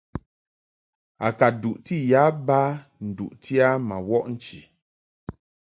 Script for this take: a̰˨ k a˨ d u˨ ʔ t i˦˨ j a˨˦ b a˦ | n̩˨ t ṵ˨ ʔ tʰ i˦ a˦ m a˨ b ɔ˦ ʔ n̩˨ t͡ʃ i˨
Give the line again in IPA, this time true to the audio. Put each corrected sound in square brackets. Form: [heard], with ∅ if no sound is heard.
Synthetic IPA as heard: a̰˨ k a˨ d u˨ ʔ t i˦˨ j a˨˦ b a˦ | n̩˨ [d] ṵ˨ ʔ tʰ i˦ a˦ m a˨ [w] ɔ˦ ʔ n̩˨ t͡ʃ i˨

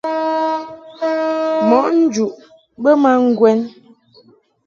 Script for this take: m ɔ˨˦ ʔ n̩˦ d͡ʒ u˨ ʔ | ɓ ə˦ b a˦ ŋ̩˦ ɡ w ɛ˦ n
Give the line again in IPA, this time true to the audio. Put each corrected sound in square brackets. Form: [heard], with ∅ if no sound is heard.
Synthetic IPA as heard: m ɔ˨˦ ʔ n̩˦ d͡ʒ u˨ ʔ | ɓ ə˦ [m] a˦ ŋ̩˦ ɡ w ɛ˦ n

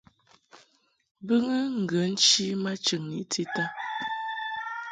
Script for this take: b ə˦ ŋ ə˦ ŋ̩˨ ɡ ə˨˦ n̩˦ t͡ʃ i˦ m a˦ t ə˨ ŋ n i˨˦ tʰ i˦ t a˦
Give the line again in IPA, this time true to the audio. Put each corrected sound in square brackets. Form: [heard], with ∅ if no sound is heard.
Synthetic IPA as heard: b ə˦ ŋ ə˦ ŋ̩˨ ɡ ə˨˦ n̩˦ t͡ʃ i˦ m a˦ [t͡ʃ] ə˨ ŋ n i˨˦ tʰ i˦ t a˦

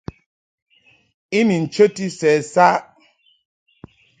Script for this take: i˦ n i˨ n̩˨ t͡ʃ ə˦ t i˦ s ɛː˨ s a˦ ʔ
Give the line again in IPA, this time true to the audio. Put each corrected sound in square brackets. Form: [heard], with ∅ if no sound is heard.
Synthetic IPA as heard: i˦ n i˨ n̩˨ t͡ʃ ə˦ t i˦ s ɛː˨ s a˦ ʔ

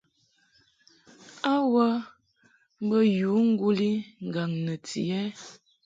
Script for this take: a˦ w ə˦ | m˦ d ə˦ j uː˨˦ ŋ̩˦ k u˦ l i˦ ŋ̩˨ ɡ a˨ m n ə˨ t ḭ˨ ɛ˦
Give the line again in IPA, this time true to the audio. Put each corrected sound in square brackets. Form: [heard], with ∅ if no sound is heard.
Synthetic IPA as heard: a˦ w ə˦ | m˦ [b] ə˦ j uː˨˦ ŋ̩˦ [ɡ] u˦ l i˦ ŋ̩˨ ɡ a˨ [ŋ] n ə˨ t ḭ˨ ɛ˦

